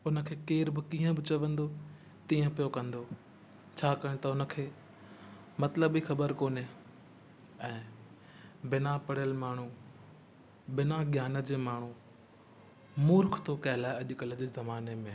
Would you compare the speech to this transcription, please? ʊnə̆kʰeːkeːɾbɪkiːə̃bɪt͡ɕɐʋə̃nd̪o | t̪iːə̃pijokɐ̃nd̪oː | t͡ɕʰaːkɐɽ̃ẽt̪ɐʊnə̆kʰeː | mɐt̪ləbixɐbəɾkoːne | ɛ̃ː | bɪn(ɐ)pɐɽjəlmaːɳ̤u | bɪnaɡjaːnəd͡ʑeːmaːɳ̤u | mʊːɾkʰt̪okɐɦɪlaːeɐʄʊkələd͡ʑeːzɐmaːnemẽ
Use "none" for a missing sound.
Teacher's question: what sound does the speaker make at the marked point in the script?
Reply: a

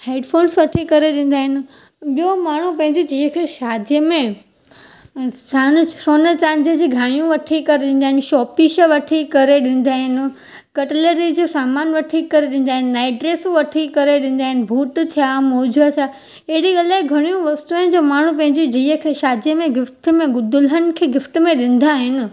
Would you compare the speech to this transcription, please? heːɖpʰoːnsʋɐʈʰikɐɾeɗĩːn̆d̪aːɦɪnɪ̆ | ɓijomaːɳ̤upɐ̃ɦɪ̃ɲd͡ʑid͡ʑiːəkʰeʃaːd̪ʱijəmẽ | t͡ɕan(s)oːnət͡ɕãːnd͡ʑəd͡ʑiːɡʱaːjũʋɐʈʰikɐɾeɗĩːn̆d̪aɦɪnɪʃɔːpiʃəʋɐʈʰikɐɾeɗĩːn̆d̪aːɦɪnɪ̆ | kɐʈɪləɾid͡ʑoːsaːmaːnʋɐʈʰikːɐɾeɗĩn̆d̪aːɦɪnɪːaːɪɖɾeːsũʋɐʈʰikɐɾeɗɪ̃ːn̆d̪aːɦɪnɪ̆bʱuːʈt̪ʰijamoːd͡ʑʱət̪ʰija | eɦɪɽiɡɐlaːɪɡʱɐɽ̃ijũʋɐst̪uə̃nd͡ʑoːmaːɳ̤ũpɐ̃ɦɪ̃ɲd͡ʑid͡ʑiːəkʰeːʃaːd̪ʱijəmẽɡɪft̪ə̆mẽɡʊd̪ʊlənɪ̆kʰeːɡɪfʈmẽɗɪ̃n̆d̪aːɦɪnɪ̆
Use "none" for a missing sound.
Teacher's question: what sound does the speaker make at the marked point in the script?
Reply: s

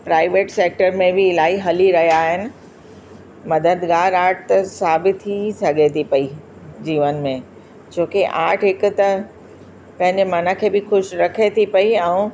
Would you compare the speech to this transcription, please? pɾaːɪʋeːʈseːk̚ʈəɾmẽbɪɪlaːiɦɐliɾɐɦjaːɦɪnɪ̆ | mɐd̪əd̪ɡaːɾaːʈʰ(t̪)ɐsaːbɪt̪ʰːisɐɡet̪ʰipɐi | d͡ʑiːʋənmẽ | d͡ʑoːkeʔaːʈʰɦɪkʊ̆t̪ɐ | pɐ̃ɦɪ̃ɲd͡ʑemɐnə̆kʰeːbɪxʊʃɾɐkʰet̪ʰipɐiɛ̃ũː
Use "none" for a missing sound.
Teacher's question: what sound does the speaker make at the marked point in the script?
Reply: t̪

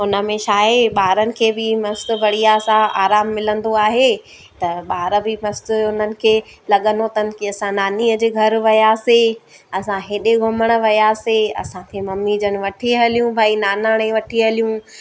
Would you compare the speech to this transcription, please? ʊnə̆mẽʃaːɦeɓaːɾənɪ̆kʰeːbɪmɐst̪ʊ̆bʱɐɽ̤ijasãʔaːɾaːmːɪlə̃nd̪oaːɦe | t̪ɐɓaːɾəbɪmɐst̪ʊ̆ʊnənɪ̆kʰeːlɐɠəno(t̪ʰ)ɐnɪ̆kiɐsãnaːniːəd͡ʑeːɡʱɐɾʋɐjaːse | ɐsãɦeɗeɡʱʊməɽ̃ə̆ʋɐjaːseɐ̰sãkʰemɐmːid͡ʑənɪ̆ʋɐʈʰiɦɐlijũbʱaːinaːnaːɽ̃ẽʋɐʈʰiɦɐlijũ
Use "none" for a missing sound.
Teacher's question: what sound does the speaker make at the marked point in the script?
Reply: t̪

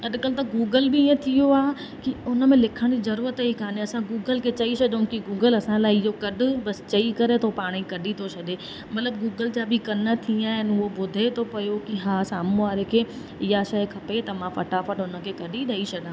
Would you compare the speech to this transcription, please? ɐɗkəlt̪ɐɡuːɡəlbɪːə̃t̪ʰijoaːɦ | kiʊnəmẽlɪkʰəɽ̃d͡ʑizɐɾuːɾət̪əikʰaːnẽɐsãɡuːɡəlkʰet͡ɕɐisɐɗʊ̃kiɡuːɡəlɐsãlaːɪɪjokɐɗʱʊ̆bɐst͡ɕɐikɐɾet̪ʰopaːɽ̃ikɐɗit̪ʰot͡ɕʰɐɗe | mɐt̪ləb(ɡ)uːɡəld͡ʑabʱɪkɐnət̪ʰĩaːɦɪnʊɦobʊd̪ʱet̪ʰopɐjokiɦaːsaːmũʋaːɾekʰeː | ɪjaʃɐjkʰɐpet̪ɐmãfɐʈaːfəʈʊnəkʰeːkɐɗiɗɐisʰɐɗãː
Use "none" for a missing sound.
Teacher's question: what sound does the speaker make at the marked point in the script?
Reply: ɡ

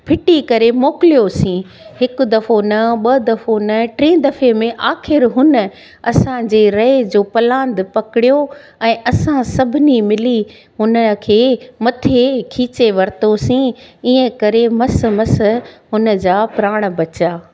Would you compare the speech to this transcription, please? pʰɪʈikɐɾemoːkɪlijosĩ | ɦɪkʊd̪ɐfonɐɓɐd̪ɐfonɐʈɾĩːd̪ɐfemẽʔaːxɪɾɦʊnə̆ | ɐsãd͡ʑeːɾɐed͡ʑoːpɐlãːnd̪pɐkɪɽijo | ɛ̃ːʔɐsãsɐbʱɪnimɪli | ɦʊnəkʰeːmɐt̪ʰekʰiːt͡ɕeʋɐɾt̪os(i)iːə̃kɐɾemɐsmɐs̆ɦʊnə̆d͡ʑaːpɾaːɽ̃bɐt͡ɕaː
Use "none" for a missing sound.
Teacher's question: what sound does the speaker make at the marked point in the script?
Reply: ĩ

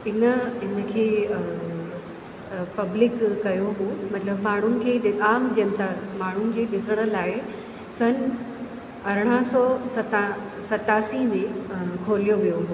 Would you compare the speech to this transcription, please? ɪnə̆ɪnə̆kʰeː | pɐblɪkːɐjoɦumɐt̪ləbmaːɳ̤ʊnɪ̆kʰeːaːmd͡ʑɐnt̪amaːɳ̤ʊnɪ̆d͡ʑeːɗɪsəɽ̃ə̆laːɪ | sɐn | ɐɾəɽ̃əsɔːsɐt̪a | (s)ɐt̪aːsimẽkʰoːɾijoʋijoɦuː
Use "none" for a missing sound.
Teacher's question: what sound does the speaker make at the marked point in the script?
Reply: s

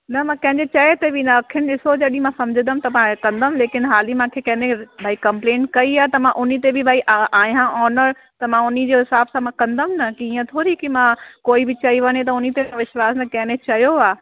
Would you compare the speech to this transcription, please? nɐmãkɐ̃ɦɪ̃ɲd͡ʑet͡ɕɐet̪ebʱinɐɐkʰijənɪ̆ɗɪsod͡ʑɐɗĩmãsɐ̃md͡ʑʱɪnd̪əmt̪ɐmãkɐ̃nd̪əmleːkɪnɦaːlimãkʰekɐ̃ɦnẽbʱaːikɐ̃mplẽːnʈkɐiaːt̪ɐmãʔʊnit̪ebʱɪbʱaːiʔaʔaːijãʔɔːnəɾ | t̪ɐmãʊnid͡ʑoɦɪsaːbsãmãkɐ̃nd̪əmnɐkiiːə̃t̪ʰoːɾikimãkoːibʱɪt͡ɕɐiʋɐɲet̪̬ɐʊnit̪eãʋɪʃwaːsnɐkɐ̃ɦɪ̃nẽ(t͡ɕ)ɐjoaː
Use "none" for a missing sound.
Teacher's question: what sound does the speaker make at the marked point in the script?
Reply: t͡ɕ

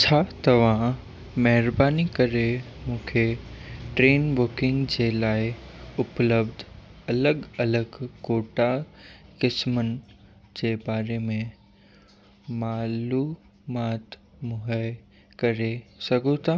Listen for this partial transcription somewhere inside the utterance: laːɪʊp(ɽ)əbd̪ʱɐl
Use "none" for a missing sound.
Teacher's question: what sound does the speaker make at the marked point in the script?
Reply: l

